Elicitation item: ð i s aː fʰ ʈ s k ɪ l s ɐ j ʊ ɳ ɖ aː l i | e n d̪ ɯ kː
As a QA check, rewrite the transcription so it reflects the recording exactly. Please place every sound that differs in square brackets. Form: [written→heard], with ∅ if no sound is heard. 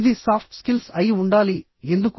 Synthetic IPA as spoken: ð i s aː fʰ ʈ s k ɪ l s ɐ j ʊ ɳ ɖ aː l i | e n d̪ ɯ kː